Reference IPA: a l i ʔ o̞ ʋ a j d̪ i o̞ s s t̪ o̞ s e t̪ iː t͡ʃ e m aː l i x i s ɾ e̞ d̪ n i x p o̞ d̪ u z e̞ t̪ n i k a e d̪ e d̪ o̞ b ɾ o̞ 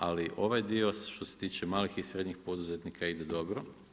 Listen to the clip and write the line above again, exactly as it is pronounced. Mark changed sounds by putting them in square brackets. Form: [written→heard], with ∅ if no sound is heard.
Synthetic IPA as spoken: a l i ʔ o̞ ʋ a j d̪ i o̞ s [s→ʃ] t̪ o̞ s e t̪ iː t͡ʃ e m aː l i x i s ɾ e̞ d̪ [n→ɲ] i x p o̞ d̪ u z e̞ t̪ n i k a [e→i] d̪ e d̪ o̞ b ɾ o̞

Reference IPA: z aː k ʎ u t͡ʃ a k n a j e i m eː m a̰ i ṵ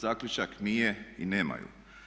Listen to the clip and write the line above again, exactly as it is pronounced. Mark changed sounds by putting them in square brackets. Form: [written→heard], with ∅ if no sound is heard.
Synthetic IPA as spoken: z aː k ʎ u t͡ʃ a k n [a→i] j e i [m→n] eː m a̰ [i→j] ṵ

